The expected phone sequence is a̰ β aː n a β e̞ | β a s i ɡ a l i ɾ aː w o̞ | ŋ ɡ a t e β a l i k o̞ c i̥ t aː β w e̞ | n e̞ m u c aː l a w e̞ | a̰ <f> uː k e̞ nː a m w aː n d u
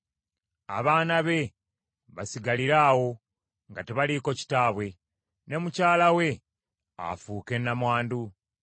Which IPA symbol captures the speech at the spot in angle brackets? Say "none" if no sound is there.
f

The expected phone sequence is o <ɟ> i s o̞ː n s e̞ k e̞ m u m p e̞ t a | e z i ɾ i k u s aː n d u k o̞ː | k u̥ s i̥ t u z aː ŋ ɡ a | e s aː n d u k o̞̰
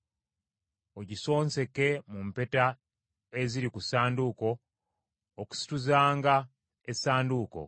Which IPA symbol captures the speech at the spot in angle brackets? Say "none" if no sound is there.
ɟ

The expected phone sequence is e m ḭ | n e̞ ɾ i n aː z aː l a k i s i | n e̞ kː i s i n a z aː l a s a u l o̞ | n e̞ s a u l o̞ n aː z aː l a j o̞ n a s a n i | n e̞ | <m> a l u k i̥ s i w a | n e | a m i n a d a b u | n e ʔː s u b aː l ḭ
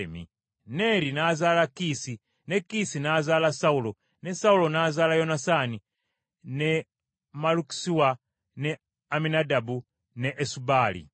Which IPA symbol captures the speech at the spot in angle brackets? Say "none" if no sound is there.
m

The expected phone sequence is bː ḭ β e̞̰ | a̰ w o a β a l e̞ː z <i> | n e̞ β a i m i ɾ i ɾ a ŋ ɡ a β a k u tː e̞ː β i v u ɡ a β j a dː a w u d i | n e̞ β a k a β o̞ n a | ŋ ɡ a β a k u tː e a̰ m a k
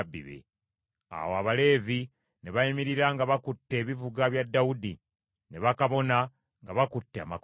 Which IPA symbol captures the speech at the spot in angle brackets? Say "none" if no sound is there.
i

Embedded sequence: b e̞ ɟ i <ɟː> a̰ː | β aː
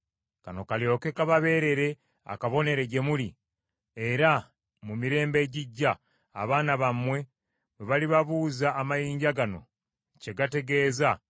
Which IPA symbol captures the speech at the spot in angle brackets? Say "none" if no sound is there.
ɟː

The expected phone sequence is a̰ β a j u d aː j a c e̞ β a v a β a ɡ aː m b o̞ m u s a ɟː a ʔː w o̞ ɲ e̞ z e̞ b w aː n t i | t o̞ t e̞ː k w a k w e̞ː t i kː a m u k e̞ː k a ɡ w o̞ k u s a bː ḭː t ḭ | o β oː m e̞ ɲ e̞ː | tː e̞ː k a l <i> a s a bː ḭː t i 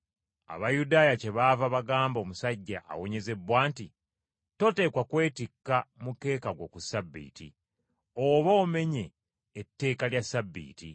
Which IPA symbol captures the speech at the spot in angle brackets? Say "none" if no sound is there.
j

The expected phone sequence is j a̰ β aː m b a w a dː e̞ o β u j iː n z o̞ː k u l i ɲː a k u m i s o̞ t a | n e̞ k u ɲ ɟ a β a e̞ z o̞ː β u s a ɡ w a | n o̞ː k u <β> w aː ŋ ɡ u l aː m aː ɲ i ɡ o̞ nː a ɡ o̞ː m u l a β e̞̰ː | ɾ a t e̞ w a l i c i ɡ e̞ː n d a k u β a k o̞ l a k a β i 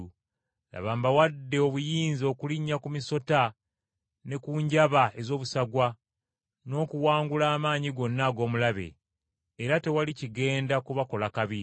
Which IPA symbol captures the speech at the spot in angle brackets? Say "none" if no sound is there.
none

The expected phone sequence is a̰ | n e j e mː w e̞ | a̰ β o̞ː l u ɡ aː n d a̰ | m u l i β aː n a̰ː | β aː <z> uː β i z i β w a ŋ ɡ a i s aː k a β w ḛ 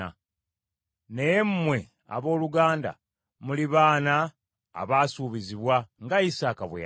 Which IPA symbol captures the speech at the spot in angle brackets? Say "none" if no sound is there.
s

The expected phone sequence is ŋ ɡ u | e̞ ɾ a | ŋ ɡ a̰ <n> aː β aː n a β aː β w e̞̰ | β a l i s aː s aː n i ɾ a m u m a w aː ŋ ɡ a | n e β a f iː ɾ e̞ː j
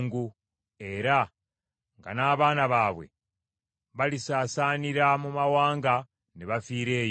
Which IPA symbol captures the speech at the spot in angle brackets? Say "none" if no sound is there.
n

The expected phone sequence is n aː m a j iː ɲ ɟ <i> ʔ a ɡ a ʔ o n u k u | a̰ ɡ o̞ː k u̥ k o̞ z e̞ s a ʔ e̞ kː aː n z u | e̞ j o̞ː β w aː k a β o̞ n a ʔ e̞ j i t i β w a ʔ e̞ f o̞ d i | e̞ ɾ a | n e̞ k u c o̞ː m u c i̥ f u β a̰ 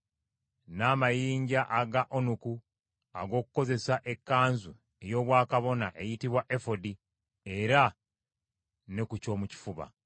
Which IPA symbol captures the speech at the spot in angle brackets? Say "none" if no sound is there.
a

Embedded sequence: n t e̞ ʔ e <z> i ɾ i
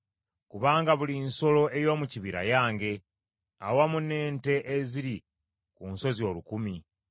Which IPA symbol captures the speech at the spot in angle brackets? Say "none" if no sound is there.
z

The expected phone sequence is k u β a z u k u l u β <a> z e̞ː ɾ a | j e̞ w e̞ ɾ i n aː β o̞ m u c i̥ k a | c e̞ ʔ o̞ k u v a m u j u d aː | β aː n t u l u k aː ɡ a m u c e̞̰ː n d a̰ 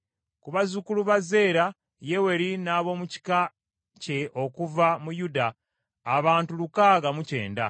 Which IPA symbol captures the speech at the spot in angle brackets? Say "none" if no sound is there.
a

